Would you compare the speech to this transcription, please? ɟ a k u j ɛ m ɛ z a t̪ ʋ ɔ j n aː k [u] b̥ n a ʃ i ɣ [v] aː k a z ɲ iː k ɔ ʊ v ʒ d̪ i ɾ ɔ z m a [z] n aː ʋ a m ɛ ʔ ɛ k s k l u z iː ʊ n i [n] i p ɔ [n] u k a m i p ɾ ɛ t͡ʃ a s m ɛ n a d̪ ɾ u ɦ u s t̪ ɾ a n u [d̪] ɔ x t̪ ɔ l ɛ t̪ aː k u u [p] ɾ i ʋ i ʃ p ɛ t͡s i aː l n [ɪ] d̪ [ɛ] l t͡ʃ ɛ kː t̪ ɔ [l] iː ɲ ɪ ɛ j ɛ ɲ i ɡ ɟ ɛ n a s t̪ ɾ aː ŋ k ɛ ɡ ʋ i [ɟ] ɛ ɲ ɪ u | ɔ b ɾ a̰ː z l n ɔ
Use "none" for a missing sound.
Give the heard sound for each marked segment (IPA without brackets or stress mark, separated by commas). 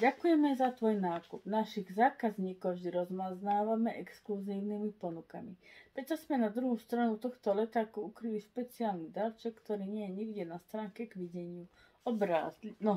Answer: u, z, z, m, n, t̪, k, i, a, ɾ, ɟ